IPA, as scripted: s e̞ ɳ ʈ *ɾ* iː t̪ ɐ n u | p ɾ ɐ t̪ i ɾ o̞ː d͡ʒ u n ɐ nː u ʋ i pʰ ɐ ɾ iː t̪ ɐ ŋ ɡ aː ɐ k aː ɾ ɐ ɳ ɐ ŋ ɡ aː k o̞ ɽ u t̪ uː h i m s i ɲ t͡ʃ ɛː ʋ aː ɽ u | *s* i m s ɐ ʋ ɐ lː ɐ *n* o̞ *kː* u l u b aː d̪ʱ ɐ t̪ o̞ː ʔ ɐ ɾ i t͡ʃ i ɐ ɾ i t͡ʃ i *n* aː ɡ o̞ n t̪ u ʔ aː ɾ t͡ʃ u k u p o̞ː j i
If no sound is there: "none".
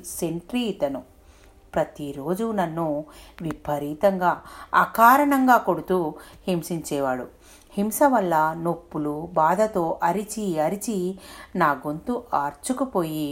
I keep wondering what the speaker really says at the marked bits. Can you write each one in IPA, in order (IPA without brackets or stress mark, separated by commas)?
ɾ, h, n, pː, n